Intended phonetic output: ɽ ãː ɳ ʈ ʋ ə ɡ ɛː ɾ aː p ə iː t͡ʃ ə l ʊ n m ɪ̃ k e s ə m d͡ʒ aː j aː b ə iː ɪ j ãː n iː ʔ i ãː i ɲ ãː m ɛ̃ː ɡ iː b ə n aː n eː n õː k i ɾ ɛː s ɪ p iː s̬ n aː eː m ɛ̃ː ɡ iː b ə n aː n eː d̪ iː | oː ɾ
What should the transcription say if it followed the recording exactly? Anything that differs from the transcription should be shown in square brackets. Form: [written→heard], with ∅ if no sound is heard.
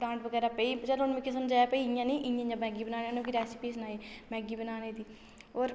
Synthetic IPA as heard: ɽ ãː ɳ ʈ ʋ ə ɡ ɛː ɾ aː p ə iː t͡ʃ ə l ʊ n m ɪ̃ k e s ə m d͡ʒ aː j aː [b→p] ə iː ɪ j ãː n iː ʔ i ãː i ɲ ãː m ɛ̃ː ɡ iː b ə n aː n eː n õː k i ɾ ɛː s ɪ p iː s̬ n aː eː m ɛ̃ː ɡ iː b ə n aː n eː d̪ iː | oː ɾ